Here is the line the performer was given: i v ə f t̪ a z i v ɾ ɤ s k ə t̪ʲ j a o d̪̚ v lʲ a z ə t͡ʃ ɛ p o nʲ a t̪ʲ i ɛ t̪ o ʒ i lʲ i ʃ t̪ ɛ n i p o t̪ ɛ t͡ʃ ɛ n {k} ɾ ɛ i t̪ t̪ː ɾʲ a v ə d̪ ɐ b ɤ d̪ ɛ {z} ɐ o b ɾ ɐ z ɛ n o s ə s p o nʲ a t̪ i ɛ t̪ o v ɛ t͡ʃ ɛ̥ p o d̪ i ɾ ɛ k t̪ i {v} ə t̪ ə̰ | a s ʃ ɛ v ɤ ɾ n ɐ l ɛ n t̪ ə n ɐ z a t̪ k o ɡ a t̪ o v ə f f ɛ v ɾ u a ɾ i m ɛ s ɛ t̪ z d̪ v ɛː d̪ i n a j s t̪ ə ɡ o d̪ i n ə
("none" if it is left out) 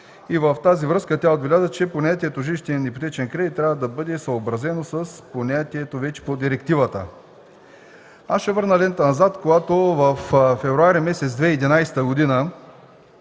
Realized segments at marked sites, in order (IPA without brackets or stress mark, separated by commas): k, s, v